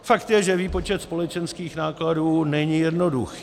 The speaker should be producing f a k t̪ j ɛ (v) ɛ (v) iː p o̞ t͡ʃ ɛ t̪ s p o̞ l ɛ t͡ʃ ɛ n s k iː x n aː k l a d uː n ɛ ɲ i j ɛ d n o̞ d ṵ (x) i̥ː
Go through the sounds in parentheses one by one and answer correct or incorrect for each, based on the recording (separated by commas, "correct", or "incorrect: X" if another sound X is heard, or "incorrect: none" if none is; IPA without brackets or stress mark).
incorrect: ʒ, correct, correct